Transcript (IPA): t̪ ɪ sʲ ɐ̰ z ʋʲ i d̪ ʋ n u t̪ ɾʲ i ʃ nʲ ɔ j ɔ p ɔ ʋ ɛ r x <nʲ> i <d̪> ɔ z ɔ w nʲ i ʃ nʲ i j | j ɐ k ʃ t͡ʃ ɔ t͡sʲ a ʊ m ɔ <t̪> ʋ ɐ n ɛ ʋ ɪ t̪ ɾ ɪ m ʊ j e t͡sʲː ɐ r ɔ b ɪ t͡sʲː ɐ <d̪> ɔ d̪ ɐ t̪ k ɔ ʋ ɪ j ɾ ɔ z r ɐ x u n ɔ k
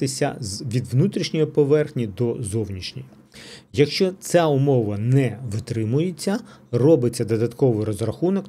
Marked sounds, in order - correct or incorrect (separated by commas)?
correct, correct, incorrect, correct